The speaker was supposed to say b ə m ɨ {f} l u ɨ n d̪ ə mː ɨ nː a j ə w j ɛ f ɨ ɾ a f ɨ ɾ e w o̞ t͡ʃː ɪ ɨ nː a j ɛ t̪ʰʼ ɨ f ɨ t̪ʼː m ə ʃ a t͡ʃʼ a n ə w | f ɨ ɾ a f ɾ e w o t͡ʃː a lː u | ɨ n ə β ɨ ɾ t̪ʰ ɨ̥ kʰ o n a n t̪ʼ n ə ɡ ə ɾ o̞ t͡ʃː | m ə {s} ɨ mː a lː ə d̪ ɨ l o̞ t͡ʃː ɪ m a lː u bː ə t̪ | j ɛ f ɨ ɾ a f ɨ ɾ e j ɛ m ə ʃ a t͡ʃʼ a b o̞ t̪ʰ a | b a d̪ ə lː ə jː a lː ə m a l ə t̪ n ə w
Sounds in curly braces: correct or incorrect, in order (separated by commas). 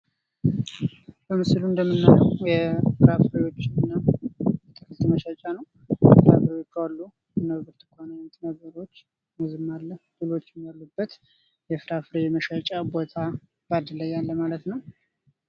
incorrect, incorrect